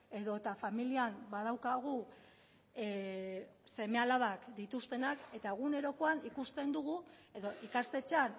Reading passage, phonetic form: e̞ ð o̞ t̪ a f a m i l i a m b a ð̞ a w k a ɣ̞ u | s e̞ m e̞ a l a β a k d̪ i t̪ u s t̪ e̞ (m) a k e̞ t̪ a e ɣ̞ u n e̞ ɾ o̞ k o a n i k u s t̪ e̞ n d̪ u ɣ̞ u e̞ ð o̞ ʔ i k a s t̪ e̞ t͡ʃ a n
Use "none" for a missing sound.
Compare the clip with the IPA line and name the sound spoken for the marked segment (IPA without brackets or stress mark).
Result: n